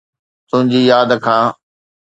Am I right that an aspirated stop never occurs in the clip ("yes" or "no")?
no